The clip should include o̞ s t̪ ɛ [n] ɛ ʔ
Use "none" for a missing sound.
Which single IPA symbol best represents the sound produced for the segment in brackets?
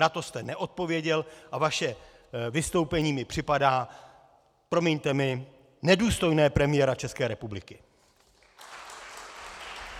n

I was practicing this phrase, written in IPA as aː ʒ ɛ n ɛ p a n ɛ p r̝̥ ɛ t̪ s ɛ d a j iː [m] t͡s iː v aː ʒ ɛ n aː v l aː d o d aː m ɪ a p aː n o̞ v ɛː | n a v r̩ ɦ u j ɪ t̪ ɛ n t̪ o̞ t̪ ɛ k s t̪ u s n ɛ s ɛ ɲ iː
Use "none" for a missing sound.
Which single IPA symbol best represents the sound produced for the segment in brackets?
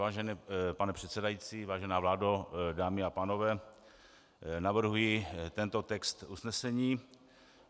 none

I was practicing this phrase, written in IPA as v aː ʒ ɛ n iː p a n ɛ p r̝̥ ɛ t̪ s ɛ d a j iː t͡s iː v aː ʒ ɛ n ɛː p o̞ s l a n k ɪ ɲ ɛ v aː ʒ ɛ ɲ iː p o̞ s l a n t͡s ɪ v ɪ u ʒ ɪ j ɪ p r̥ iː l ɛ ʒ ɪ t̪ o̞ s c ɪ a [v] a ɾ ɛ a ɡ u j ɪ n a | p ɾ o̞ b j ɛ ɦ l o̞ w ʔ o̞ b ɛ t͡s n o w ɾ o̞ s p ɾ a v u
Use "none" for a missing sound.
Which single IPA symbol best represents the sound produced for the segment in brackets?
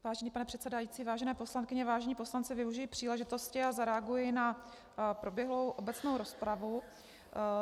z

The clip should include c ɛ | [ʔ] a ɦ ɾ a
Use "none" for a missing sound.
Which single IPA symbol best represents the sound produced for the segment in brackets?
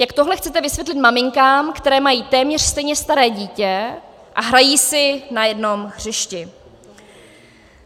ʔ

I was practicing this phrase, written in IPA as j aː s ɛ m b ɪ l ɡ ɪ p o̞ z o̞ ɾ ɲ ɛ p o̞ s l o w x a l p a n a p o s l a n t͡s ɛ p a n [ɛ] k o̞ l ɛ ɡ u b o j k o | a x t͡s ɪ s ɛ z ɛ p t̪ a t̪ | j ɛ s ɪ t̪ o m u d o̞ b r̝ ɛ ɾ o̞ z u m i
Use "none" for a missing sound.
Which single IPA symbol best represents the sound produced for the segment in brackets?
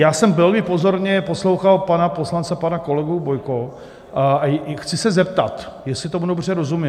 a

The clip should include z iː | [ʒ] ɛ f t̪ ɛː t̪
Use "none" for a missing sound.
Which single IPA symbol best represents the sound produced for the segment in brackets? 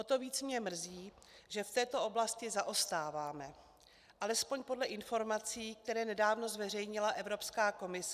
ʒ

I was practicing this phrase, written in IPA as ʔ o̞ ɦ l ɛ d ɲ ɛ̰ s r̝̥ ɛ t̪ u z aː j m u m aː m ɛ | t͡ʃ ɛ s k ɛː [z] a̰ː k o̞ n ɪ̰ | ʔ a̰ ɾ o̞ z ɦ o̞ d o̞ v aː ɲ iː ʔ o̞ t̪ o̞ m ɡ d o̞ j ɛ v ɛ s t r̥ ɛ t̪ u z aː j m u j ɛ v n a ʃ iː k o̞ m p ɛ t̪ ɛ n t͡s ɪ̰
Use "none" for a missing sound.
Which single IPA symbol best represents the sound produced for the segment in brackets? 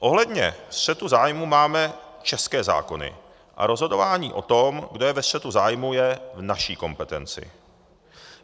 z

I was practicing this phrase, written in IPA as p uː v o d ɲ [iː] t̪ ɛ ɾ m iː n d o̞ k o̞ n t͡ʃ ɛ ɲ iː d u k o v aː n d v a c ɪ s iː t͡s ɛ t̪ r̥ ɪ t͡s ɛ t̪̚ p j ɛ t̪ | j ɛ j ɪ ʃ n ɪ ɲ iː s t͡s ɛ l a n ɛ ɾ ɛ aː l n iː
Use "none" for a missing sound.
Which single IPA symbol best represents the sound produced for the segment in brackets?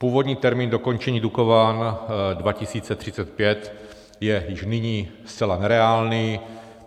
iː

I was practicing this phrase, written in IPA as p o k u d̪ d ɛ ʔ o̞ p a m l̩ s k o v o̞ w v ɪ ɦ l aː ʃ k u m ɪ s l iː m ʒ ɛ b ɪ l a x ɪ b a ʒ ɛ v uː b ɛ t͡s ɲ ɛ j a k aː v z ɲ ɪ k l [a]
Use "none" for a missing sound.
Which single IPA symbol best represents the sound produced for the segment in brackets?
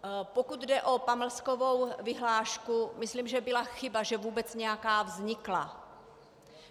a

